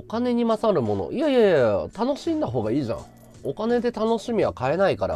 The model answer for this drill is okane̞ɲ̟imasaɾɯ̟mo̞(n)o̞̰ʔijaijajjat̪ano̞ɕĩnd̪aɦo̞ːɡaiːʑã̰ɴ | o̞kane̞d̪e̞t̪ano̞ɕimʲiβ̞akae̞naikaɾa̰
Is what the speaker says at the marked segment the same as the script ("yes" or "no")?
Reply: yes